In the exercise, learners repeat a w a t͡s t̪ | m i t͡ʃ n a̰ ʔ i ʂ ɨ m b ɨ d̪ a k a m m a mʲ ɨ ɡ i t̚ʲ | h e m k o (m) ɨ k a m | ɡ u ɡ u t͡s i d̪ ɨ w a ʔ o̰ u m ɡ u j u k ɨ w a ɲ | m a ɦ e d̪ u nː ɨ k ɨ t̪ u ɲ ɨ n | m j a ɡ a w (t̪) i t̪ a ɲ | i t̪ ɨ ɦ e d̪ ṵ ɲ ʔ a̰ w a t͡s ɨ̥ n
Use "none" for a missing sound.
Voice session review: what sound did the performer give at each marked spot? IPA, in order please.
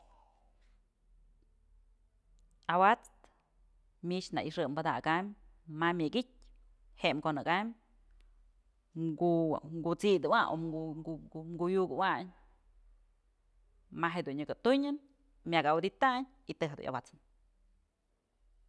n, d̪

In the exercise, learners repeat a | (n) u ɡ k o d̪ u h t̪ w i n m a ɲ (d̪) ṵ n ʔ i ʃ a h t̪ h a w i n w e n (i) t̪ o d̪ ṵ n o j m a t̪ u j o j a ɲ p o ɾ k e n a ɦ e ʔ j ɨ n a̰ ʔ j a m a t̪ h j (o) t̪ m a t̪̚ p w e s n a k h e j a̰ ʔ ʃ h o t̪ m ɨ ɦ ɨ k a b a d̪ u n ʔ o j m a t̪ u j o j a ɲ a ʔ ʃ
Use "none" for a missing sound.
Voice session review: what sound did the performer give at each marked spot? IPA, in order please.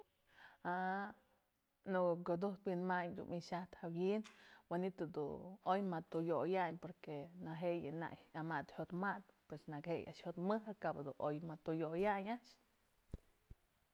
n, d̪, i, o

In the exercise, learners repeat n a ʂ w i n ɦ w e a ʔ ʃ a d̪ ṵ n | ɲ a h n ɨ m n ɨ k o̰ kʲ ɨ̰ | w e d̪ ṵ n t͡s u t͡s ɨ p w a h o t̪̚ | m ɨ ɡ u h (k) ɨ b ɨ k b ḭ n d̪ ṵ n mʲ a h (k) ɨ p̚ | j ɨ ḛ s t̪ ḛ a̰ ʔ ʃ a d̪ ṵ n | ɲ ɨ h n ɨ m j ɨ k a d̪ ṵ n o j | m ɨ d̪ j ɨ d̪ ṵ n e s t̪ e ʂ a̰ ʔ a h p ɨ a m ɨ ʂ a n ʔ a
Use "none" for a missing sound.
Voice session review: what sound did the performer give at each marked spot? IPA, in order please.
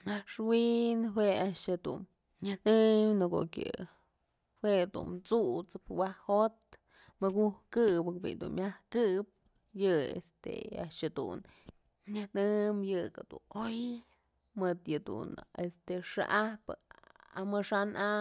k, k

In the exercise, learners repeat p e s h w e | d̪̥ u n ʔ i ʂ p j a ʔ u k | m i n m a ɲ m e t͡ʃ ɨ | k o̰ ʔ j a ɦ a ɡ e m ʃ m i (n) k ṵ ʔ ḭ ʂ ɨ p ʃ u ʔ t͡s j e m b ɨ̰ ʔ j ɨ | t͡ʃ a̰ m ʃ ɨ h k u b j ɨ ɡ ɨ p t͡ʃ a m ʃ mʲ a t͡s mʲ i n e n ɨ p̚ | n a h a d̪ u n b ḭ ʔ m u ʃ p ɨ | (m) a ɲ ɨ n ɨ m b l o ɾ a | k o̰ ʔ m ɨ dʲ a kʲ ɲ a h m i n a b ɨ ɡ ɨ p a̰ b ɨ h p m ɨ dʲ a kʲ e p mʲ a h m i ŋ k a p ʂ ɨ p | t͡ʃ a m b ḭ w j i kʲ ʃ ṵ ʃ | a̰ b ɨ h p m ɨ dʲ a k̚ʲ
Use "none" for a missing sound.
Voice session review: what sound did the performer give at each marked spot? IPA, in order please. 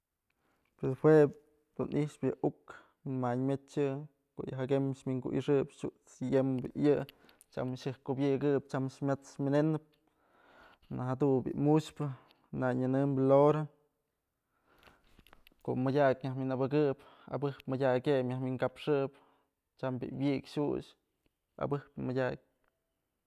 ŋ, n

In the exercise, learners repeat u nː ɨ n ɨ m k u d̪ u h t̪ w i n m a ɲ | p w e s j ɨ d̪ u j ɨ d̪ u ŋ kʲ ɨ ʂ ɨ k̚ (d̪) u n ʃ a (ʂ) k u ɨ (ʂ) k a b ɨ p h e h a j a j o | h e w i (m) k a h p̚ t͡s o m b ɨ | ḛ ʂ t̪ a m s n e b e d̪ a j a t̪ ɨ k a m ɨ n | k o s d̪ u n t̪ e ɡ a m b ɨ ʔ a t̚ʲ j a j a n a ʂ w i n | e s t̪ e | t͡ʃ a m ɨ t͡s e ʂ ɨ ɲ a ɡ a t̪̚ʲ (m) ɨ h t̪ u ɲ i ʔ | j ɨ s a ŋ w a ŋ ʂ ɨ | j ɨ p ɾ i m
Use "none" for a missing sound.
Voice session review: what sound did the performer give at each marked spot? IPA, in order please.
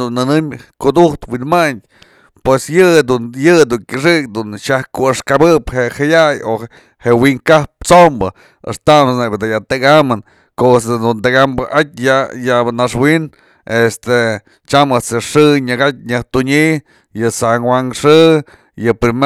d̪, h, ʂ, ŋ, ɲ

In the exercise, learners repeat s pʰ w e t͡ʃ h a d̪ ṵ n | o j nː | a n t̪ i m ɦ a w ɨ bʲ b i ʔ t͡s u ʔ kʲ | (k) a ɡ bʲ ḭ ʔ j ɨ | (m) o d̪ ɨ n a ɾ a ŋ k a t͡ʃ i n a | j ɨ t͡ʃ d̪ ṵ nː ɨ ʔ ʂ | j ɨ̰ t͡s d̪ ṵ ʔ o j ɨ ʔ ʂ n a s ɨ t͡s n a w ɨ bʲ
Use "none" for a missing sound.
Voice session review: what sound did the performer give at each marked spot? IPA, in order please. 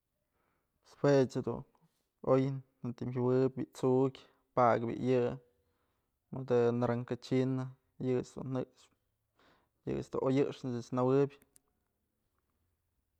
p, m

